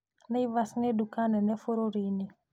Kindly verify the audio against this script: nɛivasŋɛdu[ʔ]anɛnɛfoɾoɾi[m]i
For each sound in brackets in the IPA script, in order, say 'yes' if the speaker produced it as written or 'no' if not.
no, no

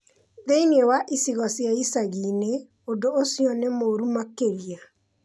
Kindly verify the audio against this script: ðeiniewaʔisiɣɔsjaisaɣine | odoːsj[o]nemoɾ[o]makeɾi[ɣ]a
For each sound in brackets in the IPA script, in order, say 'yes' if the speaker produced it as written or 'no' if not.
no, no, no

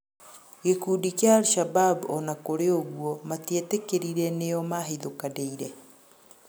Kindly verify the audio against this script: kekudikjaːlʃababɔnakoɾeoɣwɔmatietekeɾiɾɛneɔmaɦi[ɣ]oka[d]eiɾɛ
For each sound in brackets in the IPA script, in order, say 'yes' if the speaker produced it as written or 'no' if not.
no, yes

